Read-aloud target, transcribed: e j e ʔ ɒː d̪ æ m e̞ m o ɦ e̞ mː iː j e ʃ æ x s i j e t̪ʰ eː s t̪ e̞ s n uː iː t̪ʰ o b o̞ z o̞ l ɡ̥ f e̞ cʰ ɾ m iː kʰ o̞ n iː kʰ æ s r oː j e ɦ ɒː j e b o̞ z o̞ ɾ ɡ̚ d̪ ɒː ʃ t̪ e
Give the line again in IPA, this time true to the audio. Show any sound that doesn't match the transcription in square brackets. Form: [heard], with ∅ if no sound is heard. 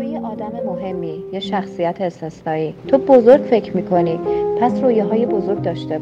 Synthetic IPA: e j e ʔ ɒː d̪ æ m e̞ m o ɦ e̞ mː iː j e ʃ æ x s i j [æ] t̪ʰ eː s t̪ e̞ s n [ɒː] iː t̪ʰ o b o̞ z o̞ [ɾ] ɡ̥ f e̞ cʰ ɾ m iː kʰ o̞ n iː [pʰ] æ s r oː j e ɦ ɒː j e b o̞ z o̞ ɾ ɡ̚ d̪ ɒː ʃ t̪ e